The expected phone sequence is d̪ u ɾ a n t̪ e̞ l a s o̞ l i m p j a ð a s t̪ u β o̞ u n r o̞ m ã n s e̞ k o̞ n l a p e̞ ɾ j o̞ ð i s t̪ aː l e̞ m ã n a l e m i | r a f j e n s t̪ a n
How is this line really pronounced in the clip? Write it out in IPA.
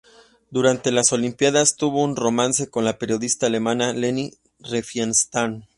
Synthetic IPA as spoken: d̪ u ɾ a n t̪ e̞ l a s o̞ l i m p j a ð a s t̪ u β o̞ u n r o̞ m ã n s e̞ k o̞ n l a p e̞ ɾ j o̞ ð i s t̪ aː l e̞ m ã n a l e n i | r e f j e n s t̪ a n